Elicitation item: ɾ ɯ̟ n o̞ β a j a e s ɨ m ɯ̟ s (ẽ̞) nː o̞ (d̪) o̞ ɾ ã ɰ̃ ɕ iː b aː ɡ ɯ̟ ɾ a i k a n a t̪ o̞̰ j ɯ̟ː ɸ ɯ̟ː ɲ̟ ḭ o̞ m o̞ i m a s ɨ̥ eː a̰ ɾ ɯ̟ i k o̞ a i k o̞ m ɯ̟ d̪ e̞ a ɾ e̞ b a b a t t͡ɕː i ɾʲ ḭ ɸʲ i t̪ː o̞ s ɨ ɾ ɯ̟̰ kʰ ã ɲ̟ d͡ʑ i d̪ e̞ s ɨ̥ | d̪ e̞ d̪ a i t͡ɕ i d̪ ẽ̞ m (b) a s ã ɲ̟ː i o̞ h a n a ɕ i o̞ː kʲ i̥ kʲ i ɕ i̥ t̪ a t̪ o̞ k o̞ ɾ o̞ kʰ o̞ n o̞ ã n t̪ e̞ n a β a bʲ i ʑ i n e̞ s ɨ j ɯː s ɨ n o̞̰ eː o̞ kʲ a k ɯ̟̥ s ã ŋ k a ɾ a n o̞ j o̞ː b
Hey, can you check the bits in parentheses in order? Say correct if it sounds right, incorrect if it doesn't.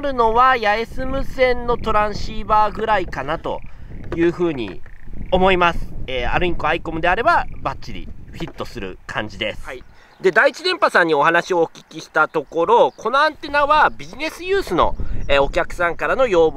correct, incorrect: t̪, incorrect: p

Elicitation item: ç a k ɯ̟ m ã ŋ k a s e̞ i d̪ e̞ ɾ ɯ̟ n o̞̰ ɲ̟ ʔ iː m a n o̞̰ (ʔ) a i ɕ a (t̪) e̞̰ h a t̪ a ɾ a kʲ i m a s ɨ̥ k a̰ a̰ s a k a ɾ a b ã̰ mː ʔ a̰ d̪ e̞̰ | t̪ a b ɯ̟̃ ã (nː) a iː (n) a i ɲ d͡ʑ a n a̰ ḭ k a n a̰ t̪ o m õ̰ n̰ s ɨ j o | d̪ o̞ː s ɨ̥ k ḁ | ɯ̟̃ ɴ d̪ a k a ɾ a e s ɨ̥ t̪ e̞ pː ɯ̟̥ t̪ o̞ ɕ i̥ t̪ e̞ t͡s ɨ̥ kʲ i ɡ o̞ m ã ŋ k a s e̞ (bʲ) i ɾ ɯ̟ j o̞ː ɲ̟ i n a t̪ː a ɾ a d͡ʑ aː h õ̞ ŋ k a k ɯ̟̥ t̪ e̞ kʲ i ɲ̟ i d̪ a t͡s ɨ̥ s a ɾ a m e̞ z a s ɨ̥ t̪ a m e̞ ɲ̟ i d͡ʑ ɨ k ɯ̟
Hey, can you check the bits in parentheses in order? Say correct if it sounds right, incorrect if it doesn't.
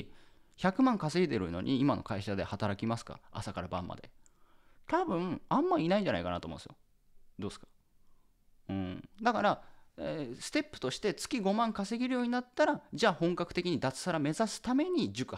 incorrect: k, incorrect: d̪, incorrect: mː, correct, incorrect: ɡʲ

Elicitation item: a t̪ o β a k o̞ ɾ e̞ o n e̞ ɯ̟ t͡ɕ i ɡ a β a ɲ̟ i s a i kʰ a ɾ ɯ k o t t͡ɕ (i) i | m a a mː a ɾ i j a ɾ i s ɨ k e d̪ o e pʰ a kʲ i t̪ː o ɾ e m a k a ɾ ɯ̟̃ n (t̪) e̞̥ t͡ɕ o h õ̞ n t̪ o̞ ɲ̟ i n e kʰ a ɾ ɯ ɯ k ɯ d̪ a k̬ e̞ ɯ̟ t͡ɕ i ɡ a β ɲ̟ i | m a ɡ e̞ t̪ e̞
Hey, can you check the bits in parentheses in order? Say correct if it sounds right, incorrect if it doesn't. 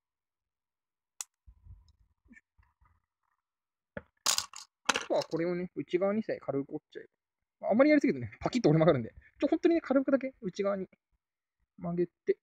incorrect: a, incorrect: d̪

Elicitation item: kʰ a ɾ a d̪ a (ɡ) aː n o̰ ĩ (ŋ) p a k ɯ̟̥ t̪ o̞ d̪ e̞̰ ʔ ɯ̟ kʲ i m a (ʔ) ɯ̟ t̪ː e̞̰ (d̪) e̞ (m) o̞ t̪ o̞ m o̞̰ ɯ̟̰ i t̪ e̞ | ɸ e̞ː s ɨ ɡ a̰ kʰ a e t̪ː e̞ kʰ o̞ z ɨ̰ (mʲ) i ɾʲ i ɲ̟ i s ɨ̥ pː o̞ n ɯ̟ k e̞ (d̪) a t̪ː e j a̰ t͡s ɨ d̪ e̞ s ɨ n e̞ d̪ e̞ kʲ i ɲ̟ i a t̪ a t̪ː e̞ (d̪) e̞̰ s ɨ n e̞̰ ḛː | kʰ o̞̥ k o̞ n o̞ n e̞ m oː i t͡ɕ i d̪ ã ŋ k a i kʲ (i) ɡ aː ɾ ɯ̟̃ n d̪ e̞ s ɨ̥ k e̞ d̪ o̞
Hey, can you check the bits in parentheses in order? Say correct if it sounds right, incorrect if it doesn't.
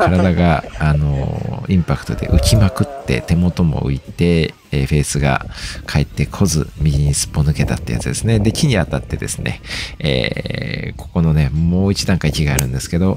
correct, incorrect: m, incorrect: k, incorrect: t̪, correct, correct, incorrect: t̪, correct, correct

